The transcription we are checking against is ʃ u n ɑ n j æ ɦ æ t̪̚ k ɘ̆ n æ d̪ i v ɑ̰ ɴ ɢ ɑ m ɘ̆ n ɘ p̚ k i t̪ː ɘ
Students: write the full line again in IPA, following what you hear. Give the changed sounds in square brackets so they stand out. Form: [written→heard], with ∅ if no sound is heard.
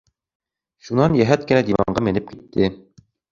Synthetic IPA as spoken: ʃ u n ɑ n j æ ɦ æ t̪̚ k ɘ̆ n æ d̪ i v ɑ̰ ɴ ɢ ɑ m ɘ̆ n ɘ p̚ k i t̪ː ɘ